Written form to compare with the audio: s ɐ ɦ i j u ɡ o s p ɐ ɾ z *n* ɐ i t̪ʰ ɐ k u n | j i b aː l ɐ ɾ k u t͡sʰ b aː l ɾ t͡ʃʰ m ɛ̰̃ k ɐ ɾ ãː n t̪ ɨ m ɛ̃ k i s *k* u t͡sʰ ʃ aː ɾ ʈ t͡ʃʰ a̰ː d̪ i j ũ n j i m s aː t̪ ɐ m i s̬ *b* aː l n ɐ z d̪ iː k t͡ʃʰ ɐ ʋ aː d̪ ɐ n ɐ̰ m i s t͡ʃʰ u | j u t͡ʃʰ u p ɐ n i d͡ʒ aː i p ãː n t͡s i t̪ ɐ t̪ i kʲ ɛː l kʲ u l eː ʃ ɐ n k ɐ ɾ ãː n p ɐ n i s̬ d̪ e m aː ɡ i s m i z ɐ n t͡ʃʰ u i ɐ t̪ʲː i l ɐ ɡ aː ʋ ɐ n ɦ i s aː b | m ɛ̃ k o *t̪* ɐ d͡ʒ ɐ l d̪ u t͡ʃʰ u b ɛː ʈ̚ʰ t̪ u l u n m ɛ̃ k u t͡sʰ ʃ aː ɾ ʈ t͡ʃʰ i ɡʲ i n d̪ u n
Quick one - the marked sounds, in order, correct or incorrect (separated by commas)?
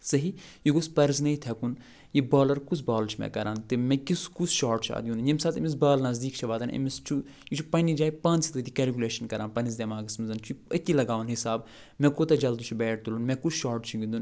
correct, correct, correct, correct